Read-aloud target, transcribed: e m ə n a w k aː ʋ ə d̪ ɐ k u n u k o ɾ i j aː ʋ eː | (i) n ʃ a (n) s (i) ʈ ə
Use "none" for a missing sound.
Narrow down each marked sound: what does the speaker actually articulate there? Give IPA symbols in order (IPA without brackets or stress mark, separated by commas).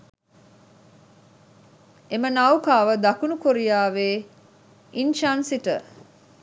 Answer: i, n, i